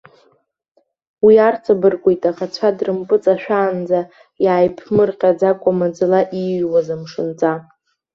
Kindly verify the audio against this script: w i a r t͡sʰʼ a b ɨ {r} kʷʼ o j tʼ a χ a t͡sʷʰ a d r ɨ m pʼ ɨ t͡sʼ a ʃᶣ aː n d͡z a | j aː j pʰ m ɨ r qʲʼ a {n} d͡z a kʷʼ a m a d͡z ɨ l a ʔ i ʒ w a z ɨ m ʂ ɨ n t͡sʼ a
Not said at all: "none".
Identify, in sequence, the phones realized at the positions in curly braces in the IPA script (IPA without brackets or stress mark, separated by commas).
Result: r, none